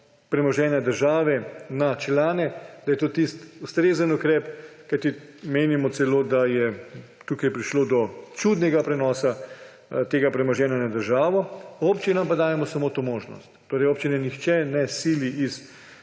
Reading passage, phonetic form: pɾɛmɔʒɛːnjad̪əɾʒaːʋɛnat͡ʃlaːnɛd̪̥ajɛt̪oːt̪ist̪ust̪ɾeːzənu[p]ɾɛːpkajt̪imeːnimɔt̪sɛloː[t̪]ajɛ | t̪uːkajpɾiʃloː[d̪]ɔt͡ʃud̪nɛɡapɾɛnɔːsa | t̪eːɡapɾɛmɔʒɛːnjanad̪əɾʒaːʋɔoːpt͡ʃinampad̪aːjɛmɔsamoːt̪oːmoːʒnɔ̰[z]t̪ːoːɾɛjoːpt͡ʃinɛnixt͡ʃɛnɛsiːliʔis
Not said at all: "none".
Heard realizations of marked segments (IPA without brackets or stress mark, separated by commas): k, d̪, d̪, s